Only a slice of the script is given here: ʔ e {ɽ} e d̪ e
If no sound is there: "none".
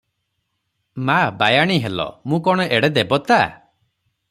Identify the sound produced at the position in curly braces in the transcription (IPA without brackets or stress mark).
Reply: ɽ